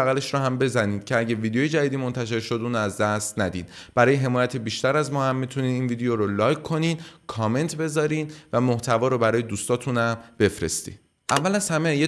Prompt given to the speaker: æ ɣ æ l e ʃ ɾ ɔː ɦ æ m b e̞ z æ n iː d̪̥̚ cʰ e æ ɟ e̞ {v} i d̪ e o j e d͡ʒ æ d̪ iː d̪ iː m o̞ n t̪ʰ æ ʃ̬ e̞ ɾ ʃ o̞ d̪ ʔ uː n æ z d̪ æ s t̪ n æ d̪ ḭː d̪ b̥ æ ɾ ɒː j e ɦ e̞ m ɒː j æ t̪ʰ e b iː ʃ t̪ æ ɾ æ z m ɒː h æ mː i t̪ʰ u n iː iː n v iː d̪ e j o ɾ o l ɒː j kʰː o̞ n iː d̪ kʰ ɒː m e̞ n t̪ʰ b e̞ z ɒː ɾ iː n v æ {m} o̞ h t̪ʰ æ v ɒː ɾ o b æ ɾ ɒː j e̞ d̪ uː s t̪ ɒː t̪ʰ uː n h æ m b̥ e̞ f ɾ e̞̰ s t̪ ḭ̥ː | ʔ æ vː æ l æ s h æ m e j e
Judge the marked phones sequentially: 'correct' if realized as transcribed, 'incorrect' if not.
correct, correct

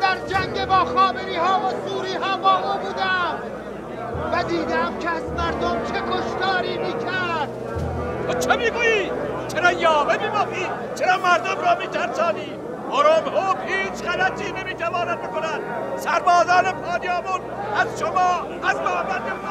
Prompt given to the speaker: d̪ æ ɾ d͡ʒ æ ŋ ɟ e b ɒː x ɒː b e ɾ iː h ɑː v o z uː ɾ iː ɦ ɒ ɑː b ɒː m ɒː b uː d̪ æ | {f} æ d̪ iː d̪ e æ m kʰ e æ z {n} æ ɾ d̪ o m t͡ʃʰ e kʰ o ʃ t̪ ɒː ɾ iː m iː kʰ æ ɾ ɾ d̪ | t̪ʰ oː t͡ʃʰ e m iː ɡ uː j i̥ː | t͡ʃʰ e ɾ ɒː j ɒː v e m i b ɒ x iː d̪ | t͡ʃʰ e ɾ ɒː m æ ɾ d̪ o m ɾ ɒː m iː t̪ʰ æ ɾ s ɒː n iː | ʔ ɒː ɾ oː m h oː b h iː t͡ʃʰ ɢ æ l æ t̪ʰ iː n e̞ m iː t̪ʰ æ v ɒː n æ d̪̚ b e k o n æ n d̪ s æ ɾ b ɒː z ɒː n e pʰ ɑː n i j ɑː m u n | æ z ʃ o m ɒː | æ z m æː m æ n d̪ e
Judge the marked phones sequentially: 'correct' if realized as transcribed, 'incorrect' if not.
incorrect: v, incorrect: m

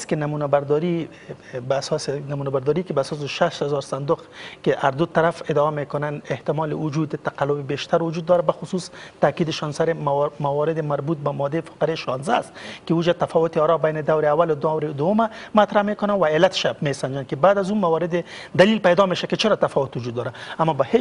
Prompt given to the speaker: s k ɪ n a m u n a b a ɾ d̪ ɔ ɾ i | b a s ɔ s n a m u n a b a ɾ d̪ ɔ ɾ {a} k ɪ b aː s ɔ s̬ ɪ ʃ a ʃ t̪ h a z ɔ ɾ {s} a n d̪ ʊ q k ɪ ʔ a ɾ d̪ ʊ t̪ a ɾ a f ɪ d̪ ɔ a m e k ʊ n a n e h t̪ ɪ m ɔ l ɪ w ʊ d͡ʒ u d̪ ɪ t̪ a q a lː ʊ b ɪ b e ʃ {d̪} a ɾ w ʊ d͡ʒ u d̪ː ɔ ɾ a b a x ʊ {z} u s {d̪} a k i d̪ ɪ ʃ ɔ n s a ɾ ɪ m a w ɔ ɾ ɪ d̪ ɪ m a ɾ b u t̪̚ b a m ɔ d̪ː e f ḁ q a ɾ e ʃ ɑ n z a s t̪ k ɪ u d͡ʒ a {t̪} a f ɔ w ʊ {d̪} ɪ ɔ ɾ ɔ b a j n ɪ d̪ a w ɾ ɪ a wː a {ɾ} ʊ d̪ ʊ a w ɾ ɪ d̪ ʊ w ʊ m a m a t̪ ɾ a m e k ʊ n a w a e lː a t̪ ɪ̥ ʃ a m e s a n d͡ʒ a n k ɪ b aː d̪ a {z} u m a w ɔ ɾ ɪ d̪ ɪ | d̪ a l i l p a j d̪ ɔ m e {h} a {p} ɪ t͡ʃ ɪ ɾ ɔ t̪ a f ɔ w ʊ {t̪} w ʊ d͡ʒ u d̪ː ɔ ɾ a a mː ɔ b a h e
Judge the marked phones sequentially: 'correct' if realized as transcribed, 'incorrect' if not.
incorrect: i, correct, incorrect: t̪, incorrect: s, incorrect: t̪, correct, incorrect: t̪, incorrect: l, correct, incorrect: ʃ, incorrect: k, correct

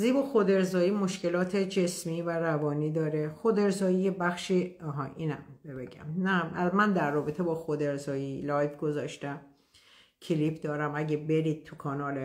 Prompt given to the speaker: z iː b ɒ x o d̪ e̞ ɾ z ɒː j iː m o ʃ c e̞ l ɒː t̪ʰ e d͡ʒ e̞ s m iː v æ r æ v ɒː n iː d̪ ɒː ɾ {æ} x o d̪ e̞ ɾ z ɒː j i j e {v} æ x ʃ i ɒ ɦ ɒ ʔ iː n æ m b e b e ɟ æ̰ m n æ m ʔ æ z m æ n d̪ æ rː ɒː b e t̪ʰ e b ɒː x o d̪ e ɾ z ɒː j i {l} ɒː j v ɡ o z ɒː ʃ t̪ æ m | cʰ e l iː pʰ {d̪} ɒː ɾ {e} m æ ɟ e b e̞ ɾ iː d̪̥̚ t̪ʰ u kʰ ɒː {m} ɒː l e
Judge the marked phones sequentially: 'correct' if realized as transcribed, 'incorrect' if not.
incorrect: e, incorrect: b, correct, correct, incorrect: æ, incorrect: n

